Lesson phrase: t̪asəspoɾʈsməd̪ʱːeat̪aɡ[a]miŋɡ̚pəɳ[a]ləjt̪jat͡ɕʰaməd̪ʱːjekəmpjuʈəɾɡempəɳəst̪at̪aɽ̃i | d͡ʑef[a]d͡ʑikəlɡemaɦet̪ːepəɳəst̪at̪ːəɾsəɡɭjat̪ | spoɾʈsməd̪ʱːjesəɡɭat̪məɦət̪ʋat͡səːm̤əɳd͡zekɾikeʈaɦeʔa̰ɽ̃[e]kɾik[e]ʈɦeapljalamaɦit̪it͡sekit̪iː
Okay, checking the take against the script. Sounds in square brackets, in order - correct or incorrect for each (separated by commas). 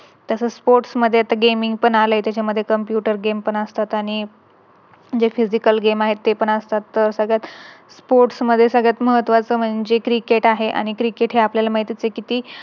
incorrect, correct, incorrect, incorrect, correct